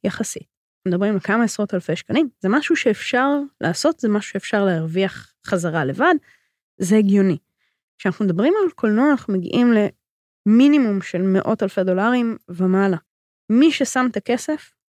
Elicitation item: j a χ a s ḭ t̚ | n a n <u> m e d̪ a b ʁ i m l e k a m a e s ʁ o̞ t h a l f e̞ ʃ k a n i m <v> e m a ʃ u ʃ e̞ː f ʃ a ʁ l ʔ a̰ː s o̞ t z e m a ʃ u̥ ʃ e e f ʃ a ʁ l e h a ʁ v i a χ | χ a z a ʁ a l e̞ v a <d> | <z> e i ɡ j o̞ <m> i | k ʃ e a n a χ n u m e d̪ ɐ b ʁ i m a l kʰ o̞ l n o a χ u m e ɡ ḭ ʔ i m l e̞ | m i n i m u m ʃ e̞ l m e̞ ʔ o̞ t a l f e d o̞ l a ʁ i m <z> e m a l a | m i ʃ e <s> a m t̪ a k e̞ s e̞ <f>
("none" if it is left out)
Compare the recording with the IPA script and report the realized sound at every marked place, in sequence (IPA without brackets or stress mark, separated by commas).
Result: u, z, d, z, n, v, s, f